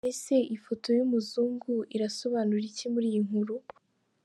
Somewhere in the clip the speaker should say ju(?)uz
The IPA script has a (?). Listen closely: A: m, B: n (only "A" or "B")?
A